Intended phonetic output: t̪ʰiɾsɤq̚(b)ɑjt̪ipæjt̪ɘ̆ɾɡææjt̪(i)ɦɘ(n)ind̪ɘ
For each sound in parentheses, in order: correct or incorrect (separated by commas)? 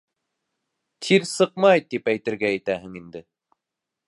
incorrect, incorrect, incorrect